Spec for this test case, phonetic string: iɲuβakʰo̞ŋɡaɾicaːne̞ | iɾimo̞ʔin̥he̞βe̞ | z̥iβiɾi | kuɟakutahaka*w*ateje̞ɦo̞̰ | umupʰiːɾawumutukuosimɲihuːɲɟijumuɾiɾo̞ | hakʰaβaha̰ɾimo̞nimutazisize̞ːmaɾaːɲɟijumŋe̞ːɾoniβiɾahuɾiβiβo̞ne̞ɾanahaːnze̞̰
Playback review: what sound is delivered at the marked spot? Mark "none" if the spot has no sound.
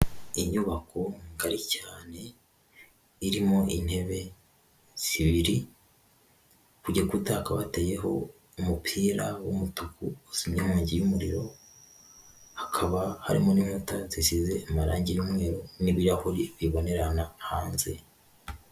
β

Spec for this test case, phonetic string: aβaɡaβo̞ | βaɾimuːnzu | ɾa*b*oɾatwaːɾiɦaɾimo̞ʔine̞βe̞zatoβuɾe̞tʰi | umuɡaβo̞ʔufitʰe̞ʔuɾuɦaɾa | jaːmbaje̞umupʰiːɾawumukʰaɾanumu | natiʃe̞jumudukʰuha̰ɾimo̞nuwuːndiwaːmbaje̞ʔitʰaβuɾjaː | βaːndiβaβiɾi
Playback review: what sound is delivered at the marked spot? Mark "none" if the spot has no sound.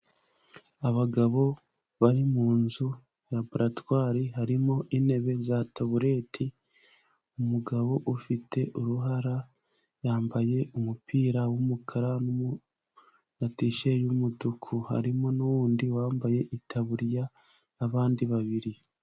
b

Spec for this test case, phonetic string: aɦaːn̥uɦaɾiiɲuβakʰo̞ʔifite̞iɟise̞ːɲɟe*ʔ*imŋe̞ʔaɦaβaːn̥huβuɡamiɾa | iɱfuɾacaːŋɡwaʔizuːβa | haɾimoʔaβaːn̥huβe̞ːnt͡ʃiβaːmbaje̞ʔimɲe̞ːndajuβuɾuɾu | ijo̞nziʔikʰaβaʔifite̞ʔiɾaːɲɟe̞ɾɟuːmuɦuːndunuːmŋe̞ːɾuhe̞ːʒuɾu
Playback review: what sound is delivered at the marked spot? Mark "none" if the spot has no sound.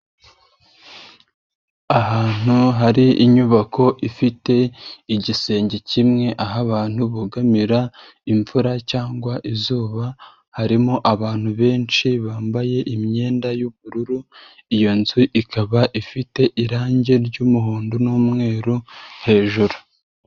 c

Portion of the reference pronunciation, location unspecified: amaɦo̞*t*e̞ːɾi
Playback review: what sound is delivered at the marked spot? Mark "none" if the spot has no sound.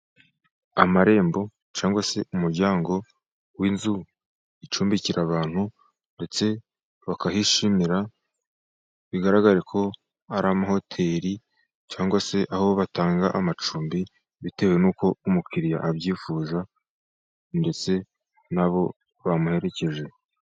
tʰ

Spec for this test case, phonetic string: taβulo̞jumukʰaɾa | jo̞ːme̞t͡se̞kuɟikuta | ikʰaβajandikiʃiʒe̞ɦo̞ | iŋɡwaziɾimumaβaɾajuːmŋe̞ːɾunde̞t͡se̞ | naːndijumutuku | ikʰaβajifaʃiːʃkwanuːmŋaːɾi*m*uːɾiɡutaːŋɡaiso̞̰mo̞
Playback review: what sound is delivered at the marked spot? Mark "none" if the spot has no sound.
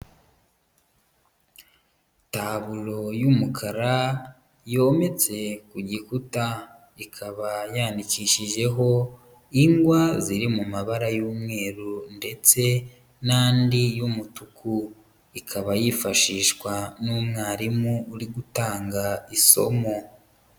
m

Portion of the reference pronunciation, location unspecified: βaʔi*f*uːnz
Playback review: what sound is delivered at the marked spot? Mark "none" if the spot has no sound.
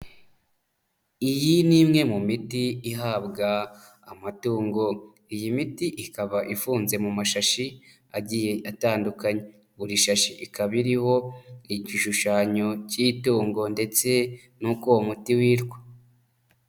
f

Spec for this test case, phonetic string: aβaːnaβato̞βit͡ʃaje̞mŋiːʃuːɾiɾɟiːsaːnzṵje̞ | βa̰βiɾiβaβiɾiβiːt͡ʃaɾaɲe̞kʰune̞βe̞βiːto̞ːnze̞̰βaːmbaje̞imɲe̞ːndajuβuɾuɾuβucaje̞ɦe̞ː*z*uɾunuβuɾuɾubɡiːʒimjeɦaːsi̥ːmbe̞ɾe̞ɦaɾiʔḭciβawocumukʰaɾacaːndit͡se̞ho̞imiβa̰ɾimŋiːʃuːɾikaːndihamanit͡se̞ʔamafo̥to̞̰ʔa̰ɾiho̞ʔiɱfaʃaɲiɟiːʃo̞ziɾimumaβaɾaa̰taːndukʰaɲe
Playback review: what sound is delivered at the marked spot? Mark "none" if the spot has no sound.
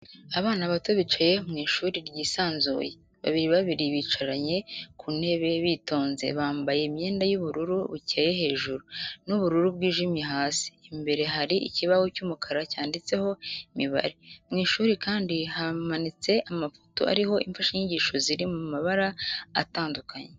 ʒ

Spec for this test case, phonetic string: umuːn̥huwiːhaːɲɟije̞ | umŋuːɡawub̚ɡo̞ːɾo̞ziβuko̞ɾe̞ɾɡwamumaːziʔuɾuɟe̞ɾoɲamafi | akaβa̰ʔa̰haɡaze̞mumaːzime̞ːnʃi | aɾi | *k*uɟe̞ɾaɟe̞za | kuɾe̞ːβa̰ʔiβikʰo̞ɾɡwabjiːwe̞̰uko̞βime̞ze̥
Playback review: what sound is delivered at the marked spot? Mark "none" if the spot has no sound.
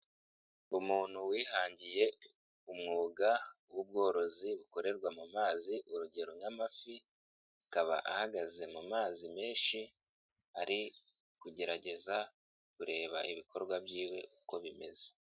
k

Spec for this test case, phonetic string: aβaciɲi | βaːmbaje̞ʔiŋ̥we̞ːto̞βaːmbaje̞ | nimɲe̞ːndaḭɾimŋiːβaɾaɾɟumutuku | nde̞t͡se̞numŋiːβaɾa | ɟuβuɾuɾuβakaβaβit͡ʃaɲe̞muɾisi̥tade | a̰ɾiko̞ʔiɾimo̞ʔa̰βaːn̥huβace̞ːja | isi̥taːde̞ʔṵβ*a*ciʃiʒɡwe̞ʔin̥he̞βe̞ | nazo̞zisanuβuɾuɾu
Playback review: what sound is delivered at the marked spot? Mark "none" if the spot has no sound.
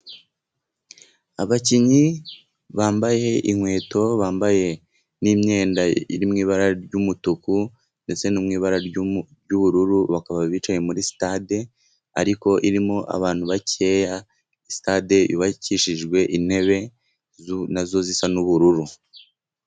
a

